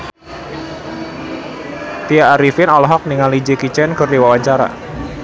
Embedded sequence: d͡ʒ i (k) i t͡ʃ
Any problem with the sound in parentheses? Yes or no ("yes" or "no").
no